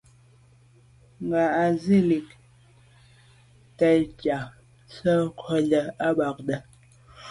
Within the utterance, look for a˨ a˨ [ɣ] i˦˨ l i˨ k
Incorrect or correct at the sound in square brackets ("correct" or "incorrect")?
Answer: incorrect